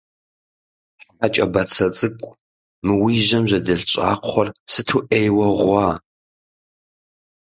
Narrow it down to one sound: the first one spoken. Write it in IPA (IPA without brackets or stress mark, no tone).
ħ